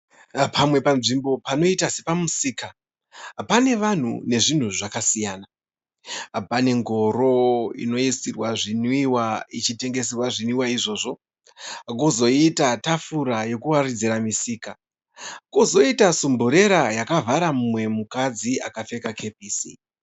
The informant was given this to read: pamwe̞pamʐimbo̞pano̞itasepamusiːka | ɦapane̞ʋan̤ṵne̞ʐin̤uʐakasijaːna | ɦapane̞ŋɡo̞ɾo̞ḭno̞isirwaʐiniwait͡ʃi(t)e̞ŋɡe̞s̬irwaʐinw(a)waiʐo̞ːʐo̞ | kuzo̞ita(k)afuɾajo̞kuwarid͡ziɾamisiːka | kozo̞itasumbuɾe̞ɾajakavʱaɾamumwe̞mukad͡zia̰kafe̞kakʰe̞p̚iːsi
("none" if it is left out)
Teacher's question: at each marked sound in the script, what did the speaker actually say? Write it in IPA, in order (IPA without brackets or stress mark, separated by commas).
t, i, t